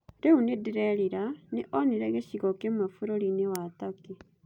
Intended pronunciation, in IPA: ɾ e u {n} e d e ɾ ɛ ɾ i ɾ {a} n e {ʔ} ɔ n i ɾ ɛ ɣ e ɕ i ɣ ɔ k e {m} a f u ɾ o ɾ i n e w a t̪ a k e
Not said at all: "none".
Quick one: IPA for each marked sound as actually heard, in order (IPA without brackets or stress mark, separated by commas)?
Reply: n, a, ʔ, m